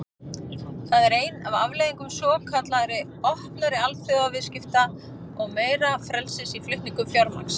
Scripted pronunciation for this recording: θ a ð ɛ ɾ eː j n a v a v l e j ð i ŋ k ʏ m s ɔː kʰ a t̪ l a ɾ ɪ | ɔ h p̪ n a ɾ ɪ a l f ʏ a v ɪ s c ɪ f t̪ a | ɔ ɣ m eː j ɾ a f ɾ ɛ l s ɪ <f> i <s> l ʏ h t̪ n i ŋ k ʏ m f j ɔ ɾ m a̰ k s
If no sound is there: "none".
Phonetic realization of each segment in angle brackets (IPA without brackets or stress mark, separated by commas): s, f